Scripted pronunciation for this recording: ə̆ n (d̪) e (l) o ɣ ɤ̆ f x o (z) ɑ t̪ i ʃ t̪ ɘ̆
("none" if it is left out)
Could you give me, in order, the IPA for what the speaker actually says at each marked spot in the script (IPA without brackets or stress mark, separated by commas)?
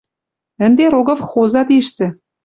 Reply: d̪, ɾ, z